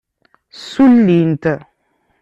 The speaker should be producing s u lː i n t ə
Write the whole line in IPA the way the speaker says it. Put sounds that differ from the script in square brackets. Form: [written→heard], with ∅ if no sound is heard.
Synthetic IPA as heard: s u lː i n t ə

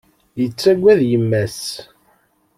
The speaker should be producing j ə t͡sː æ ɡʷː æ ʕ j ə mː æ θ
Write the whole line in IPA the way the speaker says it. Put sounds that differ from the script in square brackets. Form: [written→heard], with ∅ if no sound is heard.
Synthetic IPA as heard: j ə t͡sː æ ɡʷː æ [ʕ→ð] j ə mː æ [θ→s]

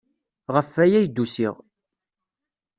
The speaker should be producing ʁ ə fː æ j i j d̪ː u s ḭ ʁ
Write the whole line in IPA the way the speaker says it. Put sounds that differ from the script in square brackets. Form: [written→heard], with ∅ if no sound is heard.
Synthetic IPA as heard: ʁ ə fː æ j [i→æ] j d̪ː u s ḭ ʁ

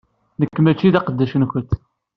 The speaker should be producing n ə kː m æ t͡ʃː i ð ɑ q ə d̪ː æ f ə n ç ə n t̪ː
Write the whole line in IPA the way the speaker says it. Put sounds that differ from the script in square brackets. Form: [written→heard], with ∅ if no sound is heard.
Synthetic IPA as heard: n ə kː m æ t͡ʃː i ð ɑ q ə d̪ː æ [f→ʃ] ə n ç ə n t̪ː

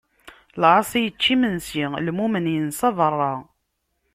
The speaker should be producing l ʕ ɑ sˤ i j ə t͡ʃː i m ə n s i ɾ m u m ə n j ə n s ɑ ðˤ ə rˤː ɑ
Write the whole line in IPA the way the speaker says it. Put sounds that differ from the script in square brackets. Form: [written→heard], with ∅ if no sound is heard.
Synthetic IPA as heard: l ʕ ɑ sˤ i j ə t͡ʃː i m ə n s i [ɾ→l] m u m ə n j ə n s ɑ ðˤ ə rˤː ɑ

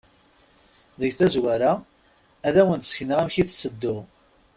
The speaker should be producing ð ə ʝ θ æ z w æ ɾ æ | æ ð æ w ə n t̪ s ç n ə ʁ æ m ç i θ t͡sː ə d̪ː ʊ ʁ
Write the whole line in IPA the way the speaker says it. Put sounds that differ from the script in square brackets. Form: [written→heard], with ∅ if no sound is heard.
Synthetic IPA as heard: ð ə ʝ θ æ z w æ ɾ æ | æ ð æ w ə n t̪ s ç n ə ʁ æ m ç i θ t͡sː ə d̪ː ʊ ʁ

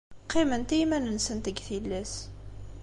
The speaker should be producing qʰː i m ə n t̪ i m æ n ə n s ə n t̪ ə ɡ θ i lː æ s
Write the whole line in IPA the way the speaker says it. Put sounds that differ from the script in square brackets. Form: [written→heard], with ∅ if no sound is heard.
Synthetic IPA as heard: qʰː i m ə n t̪ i m æ n ə n s ə n t̪ ə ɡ θ i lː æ s

